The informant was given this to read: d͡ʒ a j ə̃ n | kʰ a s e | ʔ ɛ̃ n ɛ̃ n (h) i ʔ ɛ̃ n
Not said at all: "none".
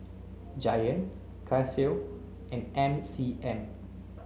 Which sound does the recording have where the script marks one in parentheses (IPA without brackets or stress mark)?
s